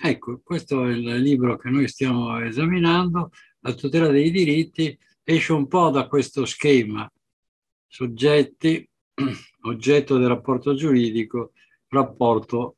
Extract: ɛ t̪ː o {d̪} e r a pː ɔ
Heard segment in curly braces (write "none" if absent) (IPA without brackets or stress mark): d̪